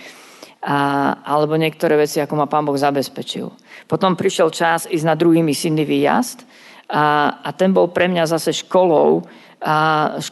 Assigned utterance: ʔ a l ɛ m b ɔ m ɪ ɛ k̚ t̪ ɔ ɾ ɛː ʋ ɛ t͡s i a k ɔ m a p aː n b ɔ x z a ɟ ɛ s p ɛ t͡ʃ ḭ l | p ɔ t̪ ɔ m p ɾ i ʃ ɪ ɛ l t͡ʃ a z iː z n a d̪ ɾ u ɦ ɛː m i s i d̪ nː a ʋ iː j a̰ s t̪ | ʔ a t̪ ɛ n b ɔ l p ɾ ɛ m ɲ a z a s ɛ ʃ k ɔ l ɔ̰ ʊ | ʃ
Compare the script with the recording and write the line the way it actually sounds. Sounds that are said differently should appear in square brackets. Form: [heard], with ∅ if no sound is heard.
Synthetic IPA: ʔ a l ɛ [∅] b ɔ [ɲ] ɪ ɛ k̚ t̪ ɔ ɾ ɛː ʋ ɛ t͡s i a k ɔ m a p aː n b ɔ [ɣ] z a [b] ɛ s p ɛ t͡ʃ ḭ l | p ɔ t̪ ɔ m p ɾ i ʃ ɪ ɛ l t͡ʃ a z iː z n a d̪ ɾ u ɦ [iː] m i s i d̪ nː [i] ʋ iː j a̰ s t̪ | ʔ a t̪ ɛ n b ɔ l p ɾ ɛ m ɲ a z a s ɛ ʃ k ɔ l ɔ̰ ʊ | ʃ